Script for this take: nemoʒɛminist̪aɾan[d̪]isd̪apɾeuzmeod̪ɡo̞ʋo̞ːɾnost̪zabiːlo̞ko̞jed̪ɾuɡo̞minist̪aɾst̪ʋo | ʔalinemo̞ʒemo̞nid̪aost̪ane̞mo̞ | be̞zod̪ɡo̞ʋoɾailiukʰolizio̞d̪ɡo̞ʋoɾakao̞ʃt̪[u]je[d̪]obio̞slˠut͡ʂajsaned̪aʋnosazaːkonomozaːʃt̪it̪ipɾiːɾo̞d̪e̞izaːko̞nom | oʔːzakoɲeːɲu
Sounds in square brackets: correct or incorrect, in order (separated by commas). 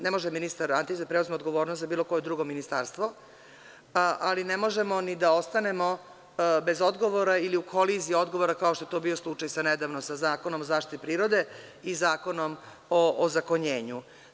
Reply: incorrect, incorrect, incorrect